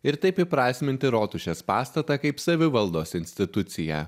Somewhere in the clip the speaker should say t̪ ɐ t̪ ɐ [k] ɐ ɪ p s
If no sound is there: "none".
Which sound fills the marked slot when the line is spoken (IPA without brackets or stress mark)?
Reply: k